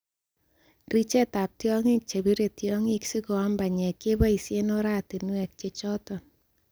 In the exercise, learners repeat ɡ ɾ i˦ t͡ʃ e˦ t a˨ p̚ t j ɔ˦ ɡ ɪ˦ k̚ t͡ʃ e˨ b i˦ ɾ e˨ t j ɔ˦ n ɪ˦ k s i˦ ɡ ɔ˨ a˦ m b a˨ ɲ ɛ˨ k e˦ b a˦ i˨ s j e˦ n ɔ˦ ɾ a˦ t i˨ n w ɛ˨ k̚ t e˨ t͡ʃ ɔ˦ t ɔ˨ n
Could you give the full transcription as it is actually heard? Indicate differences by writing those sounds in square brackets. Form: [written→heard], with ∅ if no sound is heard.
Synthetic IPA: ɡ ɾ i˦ t͡ʃ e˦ t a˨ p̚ t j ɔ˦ [ɡ→ŋ] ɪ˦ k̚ t͡ʃ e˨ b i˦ ɾ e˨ t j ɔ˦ [n→ŋ] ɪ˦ k s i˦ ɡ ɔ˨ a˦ m b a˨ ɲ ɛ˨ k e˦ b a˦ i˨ s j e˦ n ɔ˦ ɾ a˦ t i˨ n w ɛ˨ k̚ [t→t͡ʃ] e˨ t͡ʃ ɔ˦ t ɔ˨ n